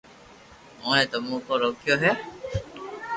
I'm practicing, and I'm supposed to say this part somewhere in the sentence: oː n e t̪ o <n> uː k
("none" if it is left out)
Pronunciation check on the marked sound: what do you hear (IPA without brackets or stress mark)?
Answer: m